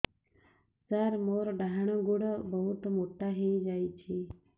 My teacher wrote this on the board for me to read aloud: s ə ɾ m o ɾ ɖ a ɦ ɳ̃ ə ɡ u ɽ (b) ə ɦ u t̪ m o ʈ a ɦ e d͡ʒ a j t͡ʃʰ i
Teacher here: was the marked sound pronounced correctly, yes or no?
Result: yes